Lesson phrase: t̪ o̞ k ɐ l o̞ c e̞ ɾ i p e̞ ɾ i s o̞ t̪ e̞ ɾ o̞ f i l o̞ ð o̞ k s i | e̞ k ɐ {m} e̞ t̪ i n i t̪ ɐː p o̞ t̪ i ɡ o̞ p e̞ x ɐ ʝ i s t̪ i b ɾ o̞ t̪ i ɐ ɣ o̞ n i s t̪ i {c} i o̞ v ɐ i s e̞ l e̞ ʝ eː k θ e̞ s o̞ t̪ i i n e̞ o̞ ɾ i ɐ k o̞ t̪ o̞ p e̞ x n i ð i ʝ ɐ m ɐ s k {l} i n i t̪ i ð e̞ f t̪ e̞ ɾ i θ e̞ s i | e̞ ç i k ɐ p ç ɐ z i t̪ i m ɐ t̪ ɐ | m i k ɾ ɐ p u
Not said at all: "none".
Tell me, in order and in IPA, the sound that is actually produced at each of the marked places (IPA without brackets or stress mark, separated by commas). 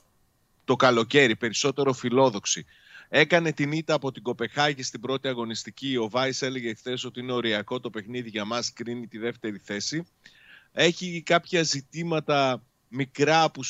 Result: n, c, ɾ